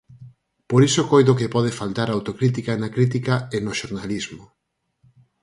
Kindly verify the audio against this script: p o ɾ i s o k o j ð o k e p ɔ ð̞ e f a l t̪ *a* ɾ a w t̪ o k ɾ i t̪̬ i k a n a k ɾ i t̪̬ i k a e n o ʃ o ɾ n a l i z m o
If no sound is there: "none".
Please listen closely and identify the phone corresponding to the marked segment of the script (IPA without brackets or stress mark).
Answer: a